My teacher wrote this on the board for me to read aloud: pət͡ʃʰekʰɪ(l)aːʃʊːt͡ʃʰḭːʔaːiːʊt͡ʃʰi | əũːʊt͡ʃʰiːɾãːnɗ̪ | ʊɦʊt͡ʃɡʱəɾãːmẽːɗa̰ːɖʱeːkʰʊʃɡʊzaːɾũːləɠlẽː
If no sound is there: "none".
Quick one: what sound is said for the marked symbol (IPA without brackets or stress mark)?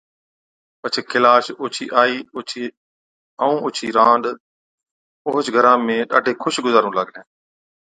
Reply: l